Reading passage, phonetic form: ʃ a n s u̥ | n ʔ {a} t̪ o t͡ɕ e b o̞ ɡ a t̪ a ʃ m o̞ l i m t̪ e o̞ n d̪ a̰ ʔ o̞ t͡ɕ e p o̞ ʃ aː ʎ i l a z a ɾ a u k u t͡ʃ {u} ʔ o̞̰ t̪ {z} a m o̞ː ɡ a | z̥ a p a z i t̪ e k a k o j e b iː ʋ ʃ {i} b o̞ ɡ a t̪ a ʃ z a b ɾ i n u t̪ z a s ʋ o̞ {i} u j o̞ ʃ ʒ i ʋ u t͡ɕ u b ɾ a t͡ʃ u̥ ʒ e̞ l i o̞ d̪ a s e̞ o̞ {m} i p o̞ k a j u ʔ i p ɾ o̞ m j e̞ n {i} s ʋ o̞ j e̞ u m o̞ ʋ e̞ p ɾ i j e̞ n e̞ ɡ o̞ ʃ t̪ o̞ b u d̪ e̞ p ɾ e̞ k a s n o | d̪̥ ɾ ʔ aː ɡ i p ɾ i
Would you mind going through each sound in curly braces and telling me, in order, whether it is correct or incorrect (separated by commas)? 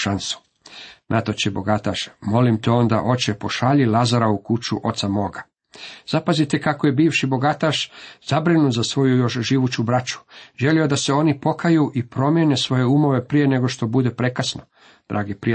correct, correct, incorrect, correct, incorrect, incorrect, incorrect